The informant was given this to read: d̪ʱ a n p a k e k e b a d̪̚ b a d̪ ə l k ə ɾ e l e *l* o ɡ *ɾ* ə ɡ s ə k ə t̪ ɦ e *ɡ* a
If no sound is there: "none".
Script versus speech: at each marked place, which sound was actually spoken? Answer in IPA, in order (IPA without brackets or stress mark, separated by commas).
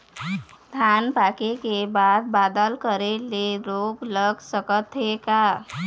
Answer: ɾ, l, k